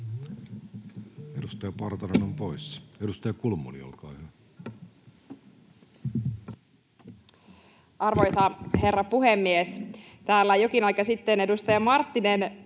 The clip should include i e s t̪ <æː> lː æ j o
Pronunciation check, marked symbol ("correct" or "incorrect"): correct